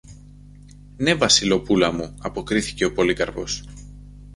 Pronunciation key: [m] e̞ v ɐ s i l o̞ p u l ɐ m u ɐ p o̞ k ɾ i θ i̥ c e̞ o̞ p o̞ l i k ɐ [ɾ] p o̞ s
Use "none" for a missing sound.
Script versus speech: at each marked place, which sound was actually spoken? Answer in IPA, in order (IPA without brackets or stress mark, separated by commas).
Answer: n, ɾ